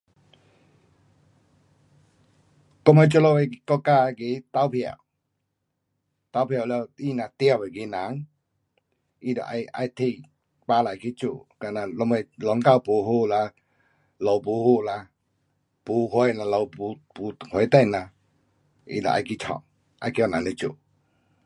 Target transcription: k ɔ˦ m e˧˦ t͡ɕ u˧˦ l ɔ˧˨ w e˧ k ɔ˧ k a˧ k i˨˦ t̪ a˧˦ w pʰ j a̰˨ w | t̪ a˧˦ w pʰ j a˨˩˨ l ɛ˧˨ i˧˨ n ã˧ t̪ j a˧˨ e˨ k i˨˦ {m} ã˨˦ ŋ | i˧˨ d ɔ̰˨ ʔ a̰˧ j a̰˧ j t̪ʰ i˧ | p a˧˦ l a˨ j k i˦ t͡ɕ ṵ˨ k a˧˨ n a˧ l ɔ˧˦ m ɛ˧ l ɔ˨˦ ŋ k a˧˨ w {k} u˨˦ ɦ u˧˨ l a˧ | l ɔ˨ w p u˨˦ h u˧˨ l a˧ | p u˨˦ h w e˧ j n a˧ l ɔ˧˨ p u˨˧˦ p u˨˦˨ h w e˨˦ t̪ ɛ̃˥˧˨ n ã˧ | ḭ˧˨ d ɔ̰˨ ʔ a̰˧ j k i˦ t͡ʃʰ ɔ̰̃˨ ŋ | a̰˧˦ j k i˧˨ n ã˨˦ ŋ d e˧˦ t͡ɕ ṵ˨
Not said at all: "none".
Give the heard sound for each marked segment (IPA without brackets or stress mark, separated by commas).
n, p